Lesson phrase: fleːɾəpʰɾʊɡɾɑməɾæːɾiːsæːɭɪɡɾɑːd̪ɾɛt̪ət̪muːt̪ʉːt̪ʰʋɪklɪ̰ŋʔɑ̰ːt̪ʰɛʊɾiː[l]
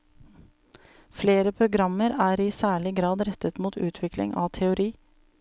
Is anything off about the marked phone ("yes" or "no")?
yes